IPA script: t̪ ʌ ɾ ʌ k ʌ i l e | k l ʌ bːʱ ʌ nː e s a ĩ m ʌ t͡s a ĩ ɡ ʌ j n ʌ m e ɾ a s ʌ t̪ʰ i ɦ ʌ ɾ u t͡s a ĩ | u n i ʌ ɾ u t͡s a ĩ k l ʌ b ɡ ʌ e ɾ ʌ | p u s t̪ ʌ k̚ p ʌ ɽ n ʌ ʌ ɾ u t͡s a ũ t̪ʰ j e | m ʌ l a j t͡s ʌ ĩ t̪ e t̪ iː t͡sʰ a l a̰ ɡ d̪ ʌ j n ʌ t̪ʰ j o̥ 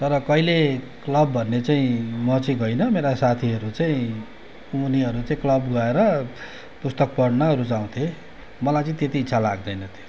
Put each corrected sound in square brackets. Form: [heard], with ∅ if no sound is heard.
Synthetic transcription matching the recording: t̪ ʌ ɾ ʌ k ʌ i l e | k l ʌ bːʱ ʌ nː e [t͡s] a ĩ m ʌ t͡s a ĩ ɡ ʌ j n ʌ m e ɾ a s [a] t̪ʰ i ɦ ʌ ɾ u t͡s a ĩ | u n i ʌ ɾ u t͡s a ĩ k l ʌ b ɡ ʌ e ɾ ʌ | p u s t̪ ʌ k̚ p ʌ ɽ n ʌ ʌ ɾ u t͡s a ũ t̪ʰ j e | m ʌ l a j t͡s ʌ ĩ t̪ e t̪ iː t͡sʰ a l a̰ ɡ d̪ ʌ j n ʌ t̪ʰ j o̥